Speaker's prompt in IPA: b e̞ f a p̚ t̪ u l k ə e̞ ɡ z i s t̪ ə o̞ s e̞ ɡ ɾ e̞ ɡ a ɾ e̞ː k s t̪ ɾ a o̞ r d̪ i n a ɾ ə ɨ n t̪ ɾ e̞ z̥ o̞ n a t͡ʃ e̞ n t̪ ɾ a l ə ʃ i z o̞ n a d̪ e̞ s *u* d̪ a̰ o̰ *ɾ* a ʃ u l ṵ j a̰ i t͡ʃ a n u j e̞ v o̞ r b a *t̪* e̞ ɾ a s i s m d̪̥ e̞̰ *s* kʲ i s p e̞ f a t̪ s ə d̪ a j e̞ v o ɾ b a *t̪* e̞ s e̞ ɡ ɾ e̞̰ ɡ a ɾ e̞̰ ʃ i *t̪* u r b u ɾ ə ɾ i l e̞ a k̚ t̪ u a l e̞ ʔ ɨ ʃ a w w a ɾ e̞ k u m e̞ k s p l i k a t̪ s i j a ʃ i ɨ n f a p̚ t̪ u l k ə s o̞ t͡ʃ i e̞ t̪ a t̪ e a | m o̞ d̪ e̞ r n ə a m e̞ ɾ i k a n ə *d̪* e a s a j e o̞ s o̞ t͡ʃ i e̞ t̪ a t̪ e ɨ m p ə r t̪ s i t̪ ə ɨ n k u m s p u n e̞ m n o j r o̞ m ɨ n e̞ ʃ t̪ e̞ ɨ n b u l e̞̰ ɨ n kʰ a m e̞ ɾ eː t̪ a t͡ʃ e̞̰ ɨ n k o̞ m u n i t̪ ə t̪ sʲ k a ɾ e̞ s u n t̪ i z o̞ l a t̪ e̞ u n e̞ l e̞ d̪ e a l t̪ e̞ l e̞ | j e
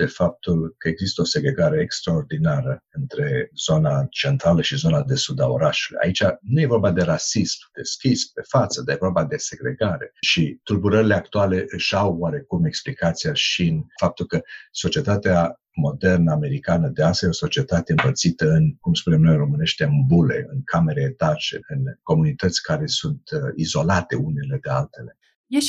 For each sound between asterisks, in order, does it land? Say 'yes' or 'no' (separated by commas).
yes, yes, no, yes, no, yes, yes